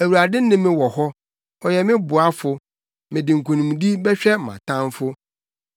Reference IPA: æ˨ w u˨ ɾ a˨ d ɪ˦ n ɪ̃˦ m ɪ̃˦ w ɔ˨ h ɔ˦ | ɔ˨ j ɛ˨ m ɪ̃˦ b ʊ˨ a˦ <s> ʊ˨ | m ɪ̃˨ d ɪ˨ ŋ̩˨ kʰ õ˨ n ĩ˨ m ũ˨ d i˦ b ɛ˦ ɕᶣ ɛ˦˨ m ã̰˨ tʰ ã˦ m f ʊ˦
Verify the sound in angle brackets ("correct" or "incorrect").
incorrect